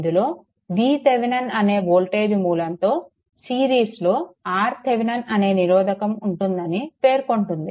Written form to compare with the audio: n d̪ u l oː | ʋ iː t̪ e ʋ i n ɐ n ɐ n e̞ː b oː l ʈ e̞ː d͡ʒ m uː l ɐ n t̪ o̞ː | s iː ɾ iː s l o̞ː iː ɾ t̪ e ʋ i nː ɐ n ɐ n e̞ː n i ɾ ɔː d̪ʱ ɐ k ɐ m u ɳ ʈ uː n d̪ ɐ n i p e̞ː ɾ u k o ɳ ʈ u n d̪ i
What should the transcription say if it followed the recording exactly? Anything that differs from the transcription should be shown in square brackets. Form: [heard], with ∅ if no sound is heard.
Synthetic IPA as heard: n d̪ u l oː | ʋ iː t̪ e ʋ i n ɐ n ɐ n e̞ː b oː l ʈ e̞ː d͡ʒ m uː l ɐ n t̪ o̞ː | s iː ɾ iː s l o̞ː [aː] ɾ t̪ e ʋ i [n] ɐ n ɐ n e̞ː n i ɾ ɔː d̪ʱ ɐ k ɐ m u ɳ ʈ [u] n d̪ ɐ n i p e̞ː ɾ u k o ɳ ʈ u n d̪ i

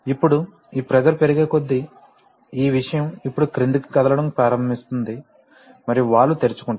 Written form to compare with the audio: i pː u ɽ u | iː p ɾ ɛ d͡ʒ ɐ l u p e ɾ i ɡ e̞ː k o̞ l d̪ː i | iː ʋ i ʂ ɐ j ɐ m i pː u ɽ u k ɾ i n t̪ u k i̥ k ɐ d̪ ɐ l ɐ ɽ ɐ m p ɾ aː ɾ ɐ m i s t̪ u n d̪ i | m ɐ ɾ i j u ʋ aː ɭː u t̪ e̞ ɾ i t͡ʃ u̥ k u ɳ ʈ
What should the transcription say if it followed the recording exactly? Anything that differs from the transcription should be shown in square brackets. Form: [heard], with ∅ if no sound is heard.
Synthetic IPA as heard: i pː u ɽ u | iː p ɾ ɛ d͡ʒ ɐ l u p e ɾ i ɡ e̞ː k o̞ [∅] d̪ː i | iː ʋ i ʂ ɐ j ɐ m i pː u ɽ u k ɾ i n [d̪] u k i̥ k ɐ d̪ ɐ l ɐ ɽ ɐ m p ɾ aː ɾ ɐ m i s t̪ u n d̪ i | m ɐ ɾ i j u ʋ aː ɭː u t̪ e̞ ɾ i t͡ʃ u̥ k u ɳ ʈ

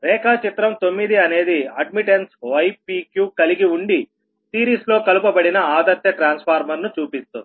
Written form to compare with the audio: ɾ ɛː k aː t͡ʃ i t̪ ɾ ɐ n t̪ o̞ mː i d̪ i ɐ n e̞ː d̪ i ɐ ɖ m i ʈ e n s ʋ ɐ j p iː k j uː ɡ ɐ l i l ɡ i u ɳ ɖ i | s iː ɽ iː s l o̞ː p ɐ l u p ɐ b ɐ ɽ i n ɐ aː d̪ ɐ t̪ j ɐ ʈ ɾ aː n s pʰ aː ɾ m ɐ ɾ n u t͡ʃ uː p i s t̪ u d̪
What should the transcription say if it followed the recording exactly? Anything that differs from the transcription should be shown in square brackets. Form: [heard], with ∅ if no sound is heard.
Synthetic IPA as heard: ɾ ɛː k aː t͡ʃ i t̪ ɾ ɐ [m] t̪ o̞ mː i d̪ i ɐ n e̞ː d̪ i ɐ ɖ m i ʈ e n s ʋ ɐ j p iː k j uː [k] ɐ l i [∅] ɡ i u ɳ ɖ i | s iː [ɾ] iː s l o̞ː [k] ɐ l u p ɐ b ɐ ɽ i n ɐ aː d̪ ɐ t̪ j ɐ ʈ ɾ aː n s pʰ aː ɾ m ɐ ɾ n u t͡ʃ uː p i s t̪ u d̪

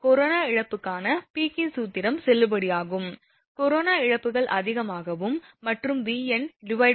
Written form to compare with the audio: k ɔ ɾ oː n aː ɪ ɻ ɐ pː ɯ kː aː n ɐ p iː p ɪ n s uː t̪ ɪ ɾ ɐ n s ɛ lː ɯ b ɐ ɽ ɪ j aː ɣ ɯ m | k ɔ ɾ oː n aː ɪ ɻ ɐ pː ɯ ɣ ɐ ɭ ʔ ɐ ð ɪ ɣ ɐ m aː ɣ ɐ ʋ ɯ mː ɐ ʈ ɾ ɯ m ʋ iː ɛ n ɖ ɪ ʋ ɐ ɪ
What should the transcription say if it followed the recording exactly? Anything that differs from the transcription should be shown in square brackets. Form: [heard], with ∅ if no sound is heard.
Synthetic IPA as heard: k ɔ ɾ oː n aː ɪ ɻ ɐ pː ɯ kː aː n ɐ p iː [k] ɪ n s uː t̪ ɪ ɾ ɐ [m] s ɛ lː ɯ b ɐ ɽ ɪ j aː ɣ ɯ m | k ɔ ɾ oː n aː ɪ ɻ ɐ pː ɯ ɣ ɐ ɭ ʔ ɐ ð ɪ ɣ ɐ m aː ɣ ɐ ʋ ɯ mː ɐ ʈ [r] ɯ m ʋ iː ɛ n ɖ ɪ ʋ ɐ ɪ

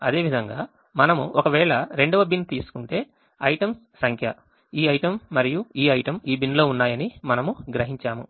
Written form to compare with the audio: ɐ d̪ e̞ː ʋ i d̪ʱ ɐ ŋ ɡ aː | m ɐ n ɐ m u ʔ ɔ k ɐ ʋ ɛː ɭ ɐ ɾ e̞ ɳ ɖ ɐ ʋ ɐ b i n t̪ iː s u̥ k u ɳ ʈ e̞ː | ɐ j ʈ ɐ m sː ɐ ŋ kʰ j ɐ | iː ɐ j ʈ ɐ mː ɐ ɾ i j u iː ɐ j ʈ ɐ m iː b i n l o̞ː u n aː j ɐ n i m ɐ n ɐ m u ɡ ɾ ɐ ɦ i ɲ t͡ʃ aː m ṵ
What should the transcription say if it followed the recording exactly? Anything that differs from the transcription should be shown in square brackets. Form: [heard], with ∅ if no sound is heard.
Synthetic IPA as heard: ɐ d̪ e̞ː ʋ i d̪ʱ ɐ ŋ ɡ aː | m ɐ n ɐ m u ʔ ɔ k ɐ ʋ ɛː ɭ ɐ ɾ e̞ ɳ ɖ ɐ ʋ ɐ b i n t̪ iː s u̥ k u ɳ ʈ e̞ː | ɐ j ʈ ɐ m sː ɐ ŋ kʰ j ɐ | iː ɐ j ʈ ɐ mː ɐ ɾ i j u iː ɐ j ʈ ɐ m iː b i n l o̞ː u [nː] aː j ɐ n i m ɐ n ɐ m u ɡ ɾ ɐ ɦ i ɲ t͡ʃ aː m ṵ

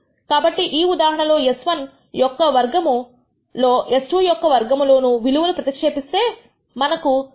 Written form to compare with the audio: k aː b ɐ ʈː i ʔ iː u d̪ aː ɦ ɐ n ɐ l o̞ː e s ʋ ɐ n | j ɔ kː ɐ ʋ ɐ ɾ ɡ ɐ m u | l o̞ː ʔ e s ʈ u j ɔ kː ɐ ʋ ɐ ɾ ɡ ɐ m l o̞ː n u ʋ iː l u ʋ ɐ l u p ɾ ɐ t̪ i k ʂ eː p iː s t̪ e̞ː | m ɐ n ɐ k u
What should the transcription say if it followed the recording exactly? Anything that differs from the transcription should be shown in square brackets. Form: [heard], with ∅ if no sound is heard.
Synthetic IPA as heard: k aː b ɐ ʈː i ʔ iː u d̪ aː ɦ ɐ [ɳ] ɐ l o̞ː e s ʋ ɐ n | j ɔ kː ɐ ʋ ɐ ɾ ɡ ɐ m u | l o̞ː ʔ e s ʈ u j ɔ kː ɐ ʋ ɐ ɾ ɡ ɐ m l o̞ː n u ʋ [i] l u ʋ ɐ l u p ɾ ɐ t̪ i k ʂ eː p [i] s t̪ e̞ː | m ɐ n ɐ k u

